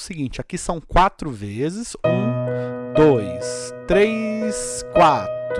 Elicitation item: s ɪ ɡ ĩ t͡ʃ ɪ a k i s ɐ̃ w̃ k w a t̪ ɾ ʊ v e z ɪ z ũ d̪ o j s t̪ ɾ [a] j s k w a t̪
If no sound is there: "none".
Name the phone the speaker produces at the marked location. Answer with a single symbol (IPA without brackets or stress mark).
e